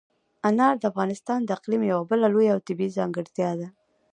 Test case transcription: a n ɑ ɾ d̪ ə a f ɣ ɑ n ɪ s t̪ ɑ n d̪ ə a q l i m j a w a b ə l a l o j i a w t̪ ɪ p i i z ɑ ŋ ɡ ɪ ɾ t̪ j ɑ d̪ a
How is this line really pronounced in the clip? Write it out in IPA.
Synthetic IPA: a n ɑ ɾ d̪ ə a f ɣ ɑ n ɪ s t̪ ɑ n d̪ ə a q l i m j a w a b ə l a l o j a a w t̪ ɪ b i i z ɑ ŋ ɡ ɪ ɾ t̪ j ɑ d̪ a